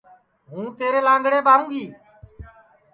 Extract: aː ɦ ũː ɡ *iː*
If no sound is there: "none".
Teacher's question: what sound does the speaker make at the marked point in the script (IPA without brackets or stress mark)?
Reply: iː